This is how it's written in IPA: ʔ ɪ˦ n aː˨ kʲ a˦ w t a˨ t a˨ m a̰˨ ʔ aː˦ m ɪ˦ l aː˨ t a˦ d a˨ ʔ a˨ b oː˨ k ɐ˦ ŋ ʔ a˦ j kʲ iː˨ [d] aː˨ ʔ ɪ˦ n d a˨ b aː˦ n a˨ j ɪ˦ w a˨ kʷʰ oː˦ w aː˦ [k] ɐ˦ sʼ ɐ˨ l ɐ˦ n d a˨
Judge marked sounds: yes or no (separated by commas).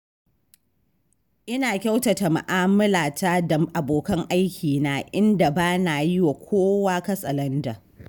no, yes